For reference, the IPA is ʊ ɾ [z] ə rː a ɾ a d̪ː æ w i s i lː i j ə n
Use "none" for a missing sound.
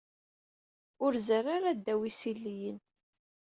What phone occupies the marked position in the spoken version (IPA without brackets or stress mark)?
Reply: z